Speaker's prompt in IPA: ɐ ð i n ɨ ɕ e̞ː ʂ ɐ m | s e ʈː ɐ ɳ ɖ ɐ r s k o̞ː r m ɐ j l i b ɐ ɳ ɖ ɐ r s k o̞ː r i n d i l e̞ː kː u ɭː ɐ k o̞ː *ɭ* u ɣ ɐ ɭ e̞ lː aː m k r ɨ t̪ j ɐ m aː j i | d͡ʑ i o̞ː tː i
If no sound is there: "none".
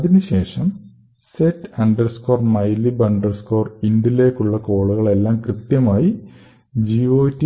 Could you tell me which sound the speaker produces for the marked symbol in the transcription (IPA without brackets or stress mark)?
ɭ